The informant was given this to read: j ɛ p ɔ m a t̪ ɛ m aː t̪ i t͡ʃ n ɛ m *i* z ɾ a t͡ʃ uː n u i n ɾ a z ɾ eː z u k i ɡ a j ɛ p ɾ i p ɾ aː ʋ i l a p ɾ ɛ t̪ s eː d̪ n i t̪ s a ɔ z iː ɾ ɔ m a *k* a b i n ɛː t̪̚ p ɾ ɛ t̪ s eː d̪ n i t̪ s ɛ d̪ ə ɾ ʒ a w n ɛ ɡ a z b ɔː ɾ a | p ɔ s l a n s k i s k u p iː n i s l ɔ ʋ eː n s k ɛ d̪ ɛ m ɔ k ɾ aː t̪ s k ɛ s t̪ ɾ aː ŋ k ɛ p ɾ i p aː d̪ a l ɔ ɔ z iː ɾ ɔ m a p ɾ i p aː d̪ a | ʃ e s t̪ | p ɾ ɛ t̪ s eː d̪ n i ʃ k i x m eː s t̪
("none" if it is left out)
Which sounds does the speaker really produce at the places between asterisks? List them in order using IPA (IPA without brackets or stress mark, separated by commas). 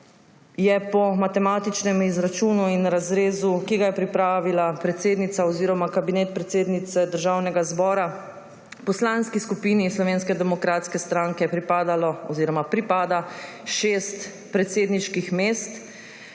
i, k